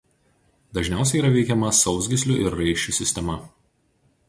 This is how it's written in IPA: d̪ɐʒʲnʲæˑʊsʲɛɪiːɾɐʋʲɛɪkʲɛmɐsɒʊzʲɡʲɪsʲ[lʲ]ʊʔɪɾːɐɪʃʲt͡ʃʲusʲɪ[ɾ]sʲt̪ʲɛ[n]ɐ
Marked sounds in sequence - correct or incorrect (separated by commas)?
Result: correct, incorrect, incorrect